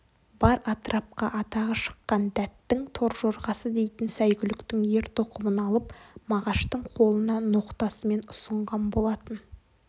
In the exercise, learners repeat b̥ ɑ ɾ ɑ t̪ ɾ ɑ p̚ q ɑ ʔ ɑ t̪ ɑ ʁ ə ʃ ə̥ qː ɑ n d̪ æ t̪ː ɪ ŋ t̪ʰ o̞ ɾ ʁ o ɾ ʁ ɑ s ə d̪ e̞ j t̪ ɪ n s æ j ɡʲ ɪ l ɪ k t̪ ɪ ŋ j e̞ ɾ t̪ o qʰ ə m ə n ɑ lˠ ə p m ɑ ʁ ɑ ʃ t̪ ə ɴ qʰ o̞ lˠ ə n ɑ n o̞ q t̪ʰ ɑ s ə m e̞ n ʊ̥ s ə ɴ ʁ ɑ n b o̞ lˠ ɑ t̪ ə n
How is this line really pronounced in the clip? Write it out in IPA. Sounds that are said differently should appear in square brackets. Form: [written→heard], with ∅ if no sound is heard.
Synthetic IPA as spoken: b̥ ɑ ɾ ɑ t̪ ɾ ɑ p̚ q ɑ ʔ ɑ t̪ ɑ ʁ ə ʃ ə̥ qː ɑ n d̪ æ t̪ː ɪ ŋ t̪ʰ o̞ ɾ [ʁ→ʒ] o ɾ ʁ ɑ s ə d̪ e̞ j t̪ ɪ n s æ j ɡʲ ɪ l ɪ k t̪ ɪ ŋ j e̞ ɾ t̪ o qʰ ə m ə n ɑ lˠ ə p m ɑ ʁ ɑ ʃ t̪ ə ɴ qʰ o̞ lˠ ə n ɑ n o̞ q [t̪ʰ→t̪] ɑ s ə m e̞ n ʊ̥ s ə ɴ ʁ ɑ n b o̞ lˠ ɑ t̪ ə n